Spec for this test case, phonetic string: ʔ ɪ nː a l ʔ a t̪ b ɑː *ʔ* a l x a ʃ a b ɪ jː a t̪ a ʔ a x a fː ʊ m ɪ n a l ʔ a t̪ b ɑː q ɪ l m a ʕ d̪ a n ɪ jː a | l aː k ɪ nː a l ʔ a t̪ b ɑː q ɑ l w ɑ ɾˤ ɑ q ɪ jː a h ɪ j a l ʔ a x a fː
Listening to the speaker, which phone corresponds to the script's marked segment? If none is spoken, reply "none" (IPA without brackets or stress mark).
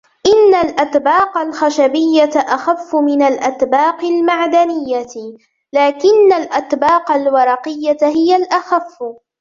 q